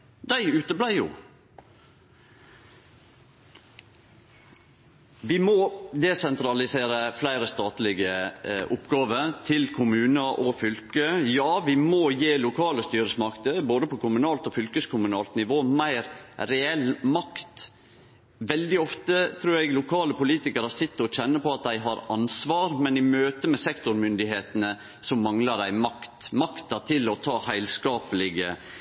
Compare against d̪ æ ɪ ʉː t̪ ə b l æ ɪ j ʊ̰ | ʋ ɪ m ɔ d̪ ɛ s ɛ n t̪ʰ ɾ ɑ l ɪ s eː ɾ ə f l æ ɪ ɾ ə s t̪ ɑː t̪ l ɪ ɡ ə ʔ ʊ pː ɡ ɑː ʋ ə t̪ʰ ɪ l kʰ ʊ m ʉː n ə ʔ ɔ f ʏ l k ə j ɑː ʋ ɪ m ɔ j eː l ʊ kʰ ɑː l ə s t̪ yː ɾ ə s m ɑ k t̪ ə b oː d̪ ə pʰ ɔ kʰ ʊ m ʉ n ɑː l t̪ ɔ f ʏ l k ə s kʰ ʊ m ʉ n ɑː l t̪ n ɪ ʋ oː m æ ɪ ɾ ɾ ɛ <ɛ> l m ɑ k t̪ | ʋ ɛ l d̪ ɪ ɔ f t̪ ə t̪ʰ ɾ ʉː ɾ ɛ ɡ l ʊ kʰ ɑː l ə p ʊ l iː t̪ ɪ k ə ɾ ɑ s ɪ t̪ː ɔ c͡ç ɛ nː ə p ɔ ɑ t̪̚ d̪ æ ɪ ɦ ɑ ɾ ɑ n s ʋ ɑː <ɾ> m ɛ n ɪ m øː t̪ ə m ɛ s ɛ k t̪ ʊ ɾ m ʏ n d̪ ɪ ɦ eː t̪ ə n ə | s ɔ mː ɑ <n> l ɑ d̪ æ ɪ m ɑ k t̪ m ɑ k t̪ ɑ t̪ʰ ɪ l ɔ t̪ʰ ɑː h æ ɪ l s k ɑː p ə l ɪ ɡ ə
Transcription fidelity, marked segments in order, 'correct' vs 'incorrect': correct, correct, incorrect: ŋ

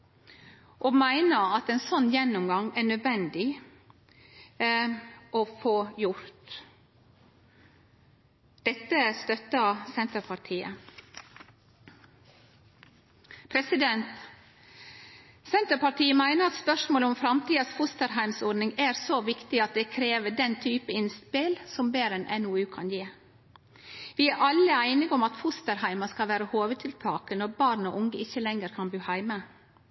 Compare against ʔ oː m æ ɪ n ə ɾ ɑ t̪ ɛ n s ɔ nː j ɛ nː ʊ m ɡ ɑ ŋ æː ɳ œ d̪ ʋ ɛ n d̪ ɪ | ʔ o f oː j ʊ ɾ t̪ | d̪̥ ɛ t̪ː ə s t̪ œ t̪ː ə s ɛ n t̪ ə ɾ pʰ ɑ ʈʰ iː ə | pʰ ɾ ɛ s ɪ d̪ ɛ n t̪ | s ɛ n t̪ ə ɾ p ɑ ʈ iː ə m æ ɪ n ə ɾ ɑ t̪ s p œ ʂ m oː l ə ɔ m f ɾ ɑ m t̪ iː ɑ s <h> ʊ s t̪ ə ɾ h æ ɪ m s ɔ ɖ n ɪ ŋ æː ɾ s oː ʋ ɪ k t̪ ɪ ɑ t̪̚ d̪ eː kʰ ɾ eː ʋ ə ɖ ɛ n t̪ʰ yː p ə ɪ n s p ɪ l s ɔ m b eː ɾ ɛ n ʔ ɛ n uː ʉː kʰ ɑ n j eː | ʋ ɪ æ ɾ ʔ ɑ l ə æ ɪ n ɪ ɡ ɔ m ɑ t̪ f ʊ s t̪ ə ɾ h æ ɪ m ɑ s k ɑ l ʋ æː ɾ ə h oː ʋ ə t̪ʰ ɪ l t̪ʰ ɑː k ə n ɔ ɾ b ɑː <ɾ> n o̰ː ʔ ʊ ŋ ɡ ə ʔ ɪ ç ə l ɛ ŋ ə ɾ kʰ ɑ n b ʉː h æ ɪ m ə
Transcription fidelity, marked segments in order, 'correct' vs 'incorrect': incorrect: f, correct

